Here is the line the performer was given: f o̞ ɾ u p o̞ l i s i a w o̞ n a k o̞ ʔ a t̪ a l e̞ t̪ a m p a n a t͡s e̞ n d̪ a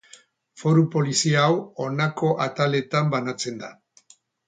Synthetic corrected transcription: f o̞ ɾ u p o̞ l i s i a w o̞ n a k o̞ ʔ a t̪ a l e̞ t̪ a m b a n a t͡s e̞ n d̪ a